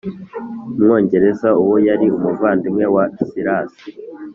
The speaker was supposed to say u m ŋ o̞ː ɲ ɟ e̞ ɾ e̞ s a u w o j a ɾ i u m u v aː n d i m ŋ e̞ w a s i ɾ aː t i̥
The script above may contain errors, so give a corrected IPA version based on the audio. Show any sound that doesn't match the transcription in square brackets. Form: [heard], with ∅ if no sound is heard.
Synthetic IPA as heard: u m ŋ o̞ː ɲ ɟ e̞ ɾ e̞ [z] a u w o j a ɾ i u m u v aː n d i m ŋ e̞ w a s i ɾ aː [s] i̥